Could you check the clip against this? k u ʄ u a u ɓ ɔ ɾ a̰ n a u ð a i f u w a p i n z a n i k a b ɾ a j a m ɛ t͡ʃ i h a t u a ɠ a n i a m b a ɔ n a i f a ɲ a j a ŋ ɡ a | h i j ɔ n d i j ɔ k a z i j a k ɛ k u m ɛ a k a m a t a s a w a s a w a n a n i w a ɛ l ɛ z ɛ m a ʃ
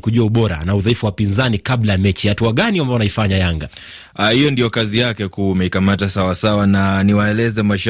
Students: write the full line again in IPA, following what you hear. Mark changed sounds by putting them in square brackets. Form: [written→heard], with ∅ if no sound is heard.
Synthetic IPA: k u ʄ u a u ɓ ɔ ɾ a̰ n a u ð a i f u w a p i n z a n i k a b [ɾ→l] a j a m ɛ t͡ʃ i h a t u a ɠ a n i a m b a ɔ n a i f a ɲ a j a ŋ ɡ a | h i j ɔ n d i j ɔ k a z i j a k ɛ k u m ɛ [a→i] k a m a t a s a w a s a w a n a n i w a ɛ l ɛ z ɛ m a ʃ